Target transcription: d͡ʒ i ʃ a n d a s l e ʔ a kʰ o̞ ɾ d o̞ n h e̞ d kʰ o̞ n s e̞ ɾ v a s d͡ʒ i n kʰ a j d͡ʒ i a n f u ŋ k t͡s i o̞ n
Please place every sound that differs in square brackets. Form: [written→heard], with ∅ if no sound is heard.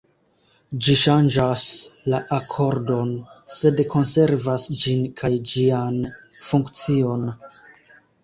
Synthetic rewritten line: d͡ʒ i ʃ a n [d→d͡ʒ] a s l [e→a] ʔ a kʰ o̞ ɾ d o̞ n [h→s] e̞ d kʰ o̞ n s e̞ ɾ v a s d͡ʒ i n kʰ a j d͡ʒ i a n f u ŋ k t͡s i o̞ n